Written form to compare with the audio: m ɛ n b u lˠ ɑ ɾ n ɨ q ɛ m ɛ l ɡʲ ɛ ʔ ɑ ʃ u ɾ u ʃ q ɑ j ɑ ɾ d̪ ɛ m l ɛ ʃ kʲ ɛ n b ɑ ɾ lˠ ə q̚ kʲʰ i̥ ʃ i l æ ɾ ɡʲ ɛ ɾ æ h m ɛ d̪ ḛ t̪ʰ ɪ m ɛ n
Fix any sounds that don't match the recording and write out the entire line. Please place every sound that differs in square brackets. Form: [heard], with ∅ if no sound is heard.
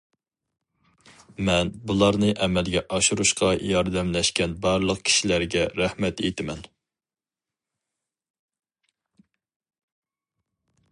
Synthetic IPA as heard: m ɛ n b u lˠ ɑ ɾ n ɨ [ʔ] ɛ m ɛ l ɡʲ ɛ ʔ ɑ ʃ u ɾ u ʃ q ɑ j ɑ ɾ d̪ ɛ m l ɛ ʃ kʲ ɛ n b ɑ ɾ lˠ ə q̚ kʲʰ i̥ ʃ i l æ ɾ ɡʲ ɛ ɾ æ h m ɛ [t̪] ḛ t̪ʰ ɪ m ɛ n